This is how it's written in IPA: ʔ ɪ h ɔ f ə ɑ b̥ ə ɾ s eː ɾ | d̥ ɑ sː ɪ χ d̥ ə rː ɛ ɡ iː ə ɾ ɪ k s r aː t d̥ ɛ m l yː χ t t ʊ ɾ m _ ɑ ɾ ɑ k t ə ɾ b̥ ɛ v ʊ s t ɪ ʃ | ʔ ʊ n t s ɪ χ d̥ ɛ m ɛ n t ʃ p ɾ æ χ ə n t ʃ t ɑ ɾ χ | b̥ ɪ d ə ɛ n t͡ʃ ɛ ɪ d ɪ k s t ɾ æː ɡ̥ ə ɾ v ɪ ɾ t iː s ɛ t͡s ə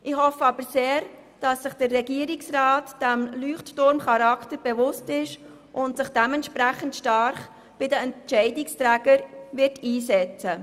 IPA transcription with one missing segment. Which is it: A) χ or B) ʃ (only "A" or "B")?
A